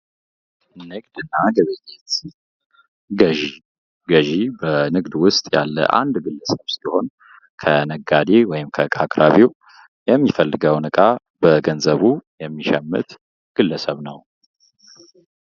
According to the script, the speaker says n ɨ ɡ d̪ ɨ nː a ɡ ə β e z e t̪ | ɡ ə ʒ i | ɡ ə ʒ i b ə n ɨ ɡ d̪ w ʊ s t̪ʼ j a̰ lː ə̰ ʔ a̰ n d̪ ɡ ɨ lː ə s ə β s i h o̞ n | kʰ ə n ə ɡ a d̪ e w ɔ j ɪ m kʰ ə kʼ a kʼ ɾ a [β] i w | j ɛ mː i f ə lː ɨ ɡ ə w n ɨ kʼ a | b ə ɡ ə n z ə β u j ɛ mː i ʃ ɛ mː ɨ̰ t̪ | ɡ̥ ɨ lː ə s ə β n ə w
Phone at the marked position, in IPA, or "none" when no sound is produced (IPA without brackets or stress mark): β